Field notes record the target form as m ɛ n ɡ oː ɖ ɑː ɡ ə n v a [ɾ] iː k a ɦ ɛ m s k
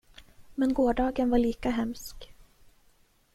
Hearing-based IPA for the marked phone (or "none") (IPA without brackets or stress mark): ɭ